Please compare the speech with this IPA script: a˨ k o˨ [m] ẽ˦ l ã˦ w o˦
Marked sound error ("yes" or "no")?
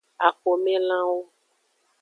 no